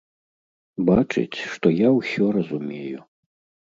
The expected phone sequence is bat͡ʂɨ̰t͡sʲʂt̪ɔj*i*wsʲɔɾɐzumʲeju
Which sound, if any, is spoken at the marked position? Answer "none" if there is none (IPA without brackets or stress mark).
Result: a